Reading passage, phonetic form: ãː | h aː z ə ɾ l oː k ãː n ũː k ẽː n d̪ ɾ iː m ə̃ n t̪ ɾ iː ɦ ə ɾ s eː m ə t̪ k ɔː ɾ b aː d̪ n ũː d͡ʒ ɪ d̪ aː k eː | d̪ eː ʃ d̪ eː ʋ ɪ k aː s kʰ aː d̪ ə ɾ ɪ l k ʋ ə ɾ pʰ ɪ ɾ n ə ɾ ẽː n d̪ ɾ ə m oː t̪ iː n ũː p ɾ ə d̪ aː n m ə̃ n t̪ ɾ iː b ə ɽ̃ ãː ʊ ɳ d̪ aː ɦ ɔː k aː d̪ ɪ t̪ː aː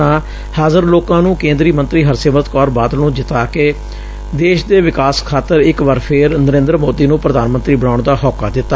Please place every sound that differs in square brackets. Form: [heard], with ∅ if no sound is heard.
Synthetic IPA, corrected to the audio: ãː | h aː z ə ɾ l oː k ãː n ũː k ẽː n d̪ ɾ iː m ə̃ n t̪ ɾ iː ɦ ə ɾ s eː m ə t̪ k ɔː ɾ b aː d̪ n ũː d͡ʒ ɪ [t̪] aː k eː | d̪ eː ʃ d̪ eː ʋ ɪ k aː s kʰ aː [t̪] ə ɾ ɪ [∅] k ʋ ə ɾ pʰ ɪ ɾ n ə ɾ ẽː n d̪ ɾ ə m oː [d̪] iː n ũː p ɾ ə d̪ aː n m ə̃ n t̪ ɾ iː b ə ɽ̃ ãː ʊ ɳ d̪ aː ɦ ɔː k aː d̪ ɪ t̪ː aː